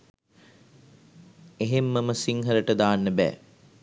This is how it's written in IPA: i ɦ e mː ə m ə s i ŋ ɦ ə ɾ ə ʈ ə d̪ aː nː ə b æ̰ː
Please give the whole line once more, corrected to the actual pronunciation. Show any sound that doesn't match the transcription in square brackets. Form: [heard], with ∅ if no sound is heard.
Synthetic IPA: [e] ɦ e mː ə m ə s i ŋ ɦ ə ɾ ə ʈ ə d̪ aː nː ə b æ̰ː

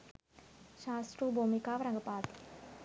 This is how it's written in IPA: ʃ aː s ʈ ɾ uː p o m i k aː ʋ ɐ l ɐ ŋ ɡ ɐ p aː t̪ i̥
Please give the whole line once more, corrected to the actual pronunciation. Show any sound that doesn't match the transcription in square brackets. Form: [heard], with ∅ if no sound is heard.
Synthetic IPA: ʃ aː s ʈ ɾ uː [b] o m i k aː ʋ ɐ [ɾ] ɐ ŋ ɡ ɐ p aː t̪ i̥

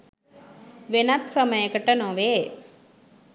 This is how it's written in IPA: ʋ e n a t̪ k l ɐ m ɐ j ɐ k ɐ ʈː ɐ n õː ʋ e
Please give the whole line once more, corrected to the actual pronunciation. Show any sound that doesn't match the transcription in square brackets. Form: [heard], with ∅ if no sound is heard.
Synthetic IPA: ʋ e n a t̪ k [ɾ] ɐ m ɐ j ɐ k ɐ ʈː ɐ n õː ʋ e

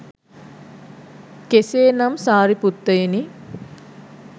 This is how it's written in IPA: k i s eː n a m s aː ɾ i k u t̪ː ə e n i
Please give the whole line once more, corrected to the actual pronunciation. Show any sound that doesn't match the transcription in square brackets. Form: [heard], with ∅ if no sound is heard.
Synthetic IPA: k [e] s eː n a m s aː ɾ i [p] u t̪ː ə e n i

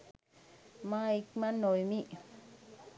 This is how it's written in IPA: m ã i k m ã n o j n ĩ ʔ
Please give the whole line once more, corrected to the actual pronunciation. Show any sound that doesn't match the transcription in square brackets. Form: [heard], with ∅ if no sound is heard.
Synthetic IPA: m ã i k m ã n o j [m] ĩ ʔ

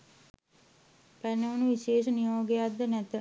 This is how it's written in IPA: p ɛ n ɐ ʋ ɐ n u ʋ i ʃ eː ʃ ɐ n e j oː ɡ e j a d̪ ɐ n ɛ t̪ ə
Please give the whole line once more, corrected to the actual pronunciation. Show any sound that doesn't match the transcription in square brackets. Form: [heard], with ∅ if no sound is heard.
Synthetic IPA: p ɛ n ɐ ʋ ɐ n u ʋ i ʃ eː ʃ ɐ n [i] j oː ɡ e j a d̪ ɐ n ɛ t̪ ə

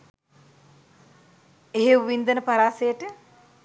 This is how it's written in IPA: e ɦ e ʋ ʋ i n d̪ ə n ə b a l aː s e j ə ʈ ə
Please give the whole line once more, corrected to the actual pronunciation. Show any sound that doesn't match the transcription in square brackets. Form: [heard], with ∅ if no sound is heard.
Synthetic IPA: e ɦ e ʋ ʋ i n d̪ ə n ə [p] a [ɾ] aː s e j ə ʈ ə

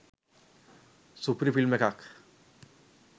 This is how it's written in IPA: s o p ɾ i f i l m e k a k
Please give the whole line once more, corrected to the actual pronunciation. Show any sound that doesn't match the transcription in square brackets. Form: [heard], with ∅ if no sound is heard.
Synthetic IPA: s [u] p ɾ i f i l m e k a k

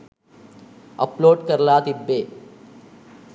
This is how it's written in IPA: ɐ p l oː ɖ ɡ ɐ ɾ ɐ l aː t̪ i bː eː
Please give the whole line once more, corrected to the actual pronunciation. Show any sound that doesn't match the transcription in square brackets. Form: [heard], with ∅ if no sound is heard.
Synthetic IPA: ɐ p l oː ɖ [k] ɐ ɾ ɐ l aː t̪ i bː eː

